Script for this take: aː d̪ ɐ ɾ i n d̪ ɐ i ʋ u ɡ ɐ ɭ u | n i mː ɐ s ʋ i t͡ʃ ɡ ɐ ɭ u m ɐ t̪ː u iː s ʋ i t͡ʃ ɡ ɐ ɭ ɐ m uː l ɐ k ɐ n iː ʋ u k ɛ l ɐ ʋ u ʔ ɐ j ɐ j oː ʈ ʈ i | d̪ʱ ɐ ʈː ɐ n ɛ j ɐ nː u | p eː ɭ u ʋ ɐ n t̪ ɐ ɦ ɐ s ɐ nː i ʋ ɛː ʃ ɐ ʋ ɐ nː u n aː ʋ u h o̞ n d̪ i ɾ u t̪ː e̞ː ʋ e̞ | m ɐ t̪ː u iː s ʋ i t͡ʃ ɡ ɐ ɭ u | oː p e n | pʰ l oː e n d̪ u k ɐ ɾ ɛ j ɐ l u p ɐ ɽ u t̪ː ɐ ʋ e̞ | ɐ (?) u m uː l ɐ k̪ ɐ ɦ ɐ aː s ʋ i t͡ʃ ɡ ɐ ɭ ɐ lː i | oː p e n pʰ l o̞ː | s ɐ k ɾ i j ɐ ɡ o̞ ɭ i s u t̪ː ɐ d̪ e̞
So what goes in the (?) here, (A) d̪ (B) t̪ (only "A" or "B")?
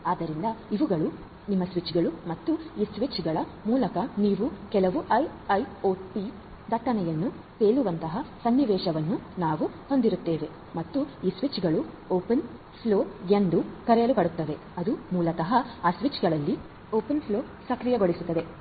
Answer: A